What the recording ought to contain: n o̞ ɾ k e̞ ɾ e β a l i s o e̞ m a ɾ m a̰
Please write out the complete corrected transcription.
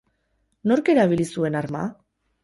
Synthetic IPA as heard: n o̞ ɾ k e̞ ɾ a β i l i s u e̞ n a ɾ m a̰